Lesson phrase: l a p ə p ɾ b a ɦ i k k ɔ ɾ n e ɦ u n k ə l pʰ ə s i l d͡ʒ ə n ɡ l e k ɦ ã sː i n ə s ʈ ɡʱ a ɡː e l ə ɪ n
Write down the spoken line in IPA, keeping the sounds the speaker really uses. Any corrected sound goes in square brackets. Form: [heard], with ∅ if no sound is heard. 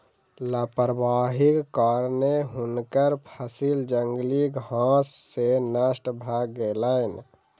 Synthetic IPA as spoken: l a p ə [∅] ɾ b a ɦ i k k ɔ ɾ n e ɦ u n k ə [ɾ] pʰ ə s i l d͡ʒ ə [ŋ] ɡ l [i] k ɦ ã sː [e] n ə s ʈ [bʱ] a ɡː e l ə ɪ n